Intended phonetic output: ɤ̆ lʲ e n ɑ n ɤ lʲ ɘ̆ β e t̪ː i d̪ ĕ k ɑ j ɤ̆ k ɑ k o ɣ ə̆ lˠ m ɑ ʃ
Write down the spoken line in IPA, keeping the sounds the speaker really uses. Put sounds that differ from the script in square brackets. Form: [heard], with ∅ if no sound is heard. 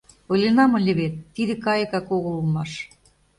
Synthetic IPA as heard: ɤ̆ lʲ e n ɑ [m] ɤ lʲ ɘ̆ β e t̪ː i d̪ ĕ k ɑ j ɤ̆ k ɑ k o ɣ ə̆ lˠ m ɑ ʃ